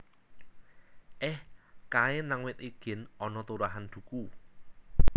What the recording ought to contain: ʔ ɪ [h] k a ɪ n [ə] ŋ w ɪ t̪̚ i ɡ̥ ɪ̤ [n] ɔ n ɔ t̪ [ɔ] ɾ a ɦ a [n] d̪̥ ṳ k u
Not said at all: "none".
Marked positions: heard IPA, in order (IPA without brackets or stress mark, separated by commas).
h, a, n, u, n